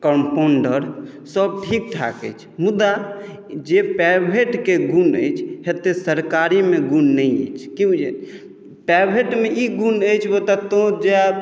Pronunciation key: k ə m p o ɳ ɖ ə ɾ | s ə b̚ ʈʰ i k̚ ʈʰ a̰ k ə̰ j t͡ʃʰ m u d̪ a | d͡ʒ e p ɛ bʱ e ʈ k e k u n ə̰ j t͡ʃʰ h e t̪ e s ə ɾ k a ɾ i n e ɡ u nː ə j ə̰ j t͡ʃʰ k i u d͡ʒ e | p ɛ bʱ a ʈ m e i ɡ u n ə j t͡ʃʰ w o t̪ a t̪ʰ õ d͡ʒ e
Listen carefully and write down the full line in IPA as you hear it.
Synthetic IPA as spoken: k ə m p o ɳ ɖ ə ɾ | s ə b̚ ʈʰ i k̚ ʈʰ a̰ k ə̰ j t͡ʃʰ m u d̪ a | d͡ʒ e p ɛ bʱ e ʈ k e ɡ u n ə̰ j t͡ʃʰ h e t̪ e s ə ɾ k a ɾ i m e ɡ u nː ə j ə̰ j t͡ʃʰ k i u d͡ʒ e | p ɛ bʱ e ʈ m e i ɡ u n ə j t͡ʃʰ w o t̪ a t̪ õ d͡ʒ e